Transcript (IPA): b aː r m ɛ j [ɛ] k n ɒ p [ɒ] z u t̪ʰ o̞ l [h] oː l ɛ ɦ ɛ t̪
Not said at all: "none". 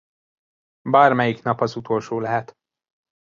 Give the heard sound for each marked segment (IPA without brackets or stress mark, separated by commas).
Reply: i, ɒ, ʃ